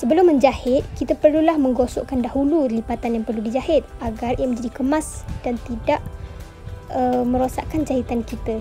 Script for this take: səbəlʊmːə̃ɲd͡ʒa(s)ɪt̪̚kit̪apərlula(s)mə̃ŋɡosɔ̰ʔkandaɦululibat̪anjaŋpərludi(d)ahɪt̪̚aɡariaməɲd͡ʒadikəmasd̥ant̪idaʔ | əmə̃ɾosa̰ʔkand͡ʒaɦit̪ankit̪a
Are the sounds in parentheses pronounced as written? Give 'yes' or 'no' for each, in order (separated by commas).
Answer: no, no, no